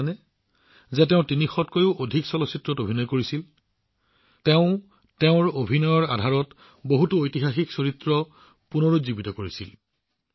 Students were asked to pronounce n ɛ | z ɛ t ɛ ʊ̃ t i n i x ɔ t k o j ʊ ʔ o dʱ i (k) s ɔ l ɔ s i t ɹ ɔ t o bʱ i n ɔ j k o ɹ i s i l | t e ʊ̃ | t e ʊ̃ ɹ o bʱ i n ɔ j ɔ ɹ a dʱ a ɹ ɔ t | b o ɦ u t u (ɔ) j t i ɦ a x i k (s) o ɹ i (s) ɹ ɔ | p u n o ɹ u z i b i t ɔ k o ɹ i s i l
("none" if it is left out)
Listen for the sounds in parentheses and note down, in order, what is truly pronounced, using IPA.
k, o, s, t

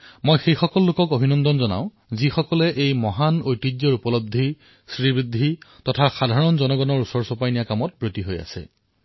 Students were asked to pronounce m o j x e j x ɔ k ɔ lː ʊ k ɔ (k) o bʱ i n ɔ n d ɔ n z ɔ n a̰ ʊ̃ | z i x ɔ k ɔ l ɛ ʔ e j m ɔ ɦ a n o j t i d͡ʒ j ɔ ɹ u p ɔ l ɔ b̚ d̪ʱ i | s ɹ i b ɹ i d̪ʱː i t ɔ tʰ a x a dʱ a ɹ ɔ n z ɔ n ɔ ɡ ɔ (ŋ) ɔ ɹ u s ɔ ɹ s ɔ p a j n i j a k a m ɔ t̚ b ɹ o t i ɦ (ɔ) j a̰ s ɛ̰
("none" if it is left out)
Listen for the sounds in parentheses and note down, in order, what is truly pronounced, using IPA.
k, n, o

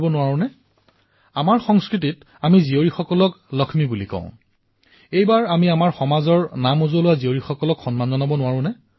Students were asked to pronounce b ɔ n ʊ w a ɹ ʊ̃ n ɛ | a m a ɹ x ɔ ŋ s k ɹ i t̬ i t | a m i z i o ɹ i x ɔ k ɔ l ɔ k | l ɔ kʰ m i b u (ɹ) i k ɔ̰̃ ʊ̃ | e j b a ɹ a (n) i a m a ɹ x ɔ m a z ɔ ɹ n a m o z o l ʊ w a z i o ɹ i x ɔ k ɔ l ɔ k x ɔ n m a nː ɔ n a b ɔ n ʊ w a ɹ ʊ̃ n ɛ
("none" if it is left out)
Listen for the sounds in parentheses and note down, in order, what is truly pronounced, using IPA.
l, m

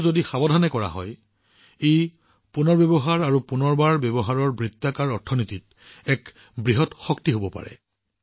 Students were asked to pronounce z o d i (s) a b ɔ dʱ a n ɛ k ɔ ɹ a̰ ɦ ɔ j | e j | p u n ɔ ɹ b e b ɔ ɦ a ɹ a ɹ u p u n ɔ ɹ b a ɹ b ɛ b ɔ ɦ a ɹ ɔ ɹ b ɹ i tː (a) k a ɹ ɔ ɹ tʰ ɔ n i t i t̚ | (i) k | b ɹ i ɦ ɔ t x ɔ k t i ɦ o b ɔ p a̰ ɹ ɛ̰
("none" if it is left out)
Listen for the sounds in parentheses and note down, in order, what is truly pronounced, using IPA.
x, a, ɛ

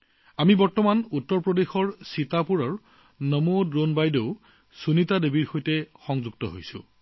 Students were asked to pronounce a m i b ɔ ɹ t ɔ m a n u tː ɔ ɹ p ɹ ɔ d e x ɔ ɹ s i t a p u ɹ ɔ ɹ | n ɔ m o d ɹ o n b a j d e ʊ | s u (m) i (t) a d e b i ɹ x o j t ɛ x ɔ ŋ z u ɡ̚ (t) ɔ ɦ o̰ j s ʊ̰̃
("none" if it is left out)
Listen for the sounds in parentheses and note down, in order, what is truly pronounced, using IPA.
n, t, t

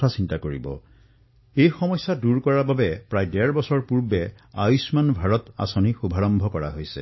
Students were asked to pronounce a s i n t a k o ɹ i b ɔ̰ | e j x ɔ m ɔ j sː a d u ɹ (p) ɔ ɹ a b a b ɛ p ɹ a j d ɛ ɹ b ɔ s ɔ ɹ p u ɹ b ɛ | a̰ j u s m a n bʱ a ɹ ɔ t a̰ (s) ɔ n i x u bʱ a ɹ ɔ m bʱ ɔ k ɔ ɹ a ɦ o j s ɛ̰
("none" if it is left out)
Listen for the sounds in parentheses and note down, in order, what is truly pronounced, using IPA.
k, s

